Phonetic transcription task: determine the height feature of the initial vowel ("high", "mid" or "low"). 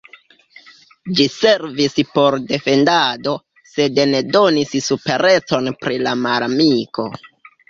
high